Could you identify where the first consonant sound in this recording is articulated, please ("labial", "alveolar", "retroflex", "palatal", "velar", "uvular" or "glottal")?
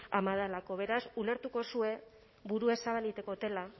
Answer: labial